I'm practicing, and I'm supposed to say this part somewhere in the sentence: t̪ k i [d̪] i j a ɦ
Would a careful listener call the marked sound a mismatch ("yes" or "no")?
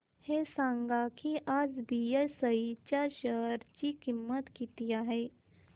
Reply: yes